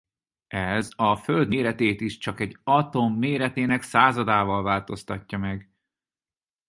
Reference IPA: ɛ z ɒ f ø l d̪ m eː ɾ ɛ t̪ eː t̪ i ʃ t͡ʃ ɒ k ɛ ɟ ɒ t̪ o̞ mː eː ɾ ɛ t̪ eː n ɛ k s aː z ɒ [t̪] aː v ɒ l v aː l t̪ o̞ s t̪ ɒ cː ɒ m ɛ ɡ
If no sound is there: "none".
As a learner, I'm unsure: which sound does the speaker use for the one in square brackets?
d̪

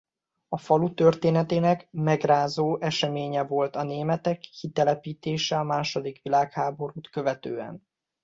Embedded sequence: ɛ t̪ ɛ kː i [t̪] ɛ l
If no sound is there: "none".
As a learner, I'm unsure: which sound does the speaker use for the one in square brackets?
t̪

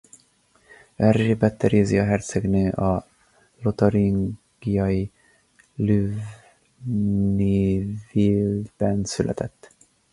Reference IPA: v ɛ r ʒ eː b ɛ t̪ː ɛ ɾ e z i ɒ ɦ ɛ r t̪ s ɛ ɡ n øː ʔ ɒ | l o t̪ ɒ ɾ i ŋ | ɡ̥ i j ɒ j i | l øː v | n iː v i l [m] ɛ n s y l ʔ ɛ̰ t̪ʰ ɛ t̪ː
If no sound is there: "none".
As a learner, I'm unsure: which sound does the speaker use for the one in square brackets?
b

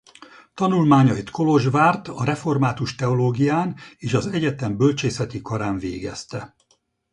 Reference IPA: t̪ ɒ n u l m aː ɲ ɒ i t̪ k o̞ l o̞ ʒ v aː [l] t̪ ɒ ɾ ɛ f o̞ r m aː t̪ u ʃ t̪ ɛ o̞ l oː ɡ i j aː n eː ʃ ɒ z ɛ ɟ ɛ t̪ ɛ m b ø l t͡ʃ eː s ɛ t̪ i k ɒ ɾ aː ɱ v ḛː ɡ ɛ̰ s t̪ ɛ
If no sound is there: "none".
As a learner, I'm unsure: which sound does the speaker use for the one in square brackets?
r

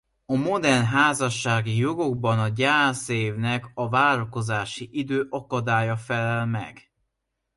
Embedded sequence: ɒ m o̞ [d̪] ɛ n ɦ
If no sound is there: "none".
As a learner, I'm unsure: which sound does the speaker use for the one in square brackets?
d̪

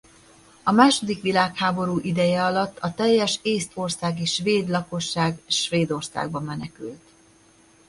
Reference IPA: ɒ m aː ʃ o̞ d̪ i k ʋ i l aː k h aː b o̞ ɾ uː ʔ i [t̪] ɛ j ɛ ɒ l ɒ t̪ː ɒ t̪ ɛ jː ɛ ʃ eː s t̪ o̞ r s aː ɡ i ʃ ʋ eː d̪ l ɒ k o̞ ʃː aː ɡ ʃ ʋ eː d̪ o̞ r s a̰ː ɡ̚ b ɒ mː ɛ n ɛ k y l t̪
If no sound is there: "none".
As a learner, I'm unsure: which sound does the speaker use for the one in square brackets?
d̪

